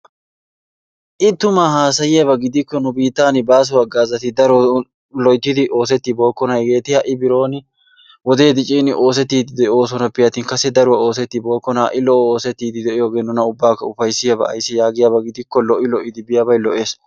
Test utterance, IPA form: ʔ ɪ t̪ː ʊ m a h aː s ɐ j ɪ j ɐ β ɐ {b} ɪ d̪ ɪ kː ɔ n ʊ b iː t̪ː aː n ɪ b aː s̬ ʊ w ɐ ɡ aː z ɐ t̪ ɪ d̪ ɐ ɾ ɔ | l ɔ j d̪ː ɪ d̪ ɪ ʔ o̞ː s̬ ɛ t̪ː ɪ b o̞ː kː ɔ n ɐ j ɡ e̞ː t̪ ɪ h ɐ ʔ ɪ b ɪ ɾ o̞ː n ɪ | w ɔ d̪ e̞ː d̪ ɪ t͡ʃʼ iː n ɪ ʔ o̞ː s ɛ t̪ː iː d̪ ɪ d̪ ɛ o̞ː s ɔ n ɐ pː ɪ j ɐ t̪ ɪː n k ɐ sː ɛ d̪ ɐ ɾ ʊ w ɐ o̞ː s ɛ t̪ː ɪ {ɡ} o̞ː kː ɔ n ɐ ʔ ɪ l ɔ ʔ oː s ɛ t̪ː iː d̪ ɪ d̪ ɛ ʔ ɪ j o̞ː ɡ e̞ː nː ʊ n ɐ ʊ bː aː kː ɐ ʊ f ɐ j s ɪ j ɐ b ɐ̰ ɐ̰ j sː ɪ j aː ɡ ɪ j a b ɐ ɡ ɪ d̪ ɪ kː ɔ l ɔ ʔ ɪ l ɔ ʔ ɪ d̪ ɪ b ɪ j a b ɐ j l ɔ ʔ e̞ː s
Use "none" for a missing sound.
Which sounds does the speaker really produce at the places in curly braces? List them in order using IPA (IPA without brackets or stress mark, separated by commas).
ɡ, b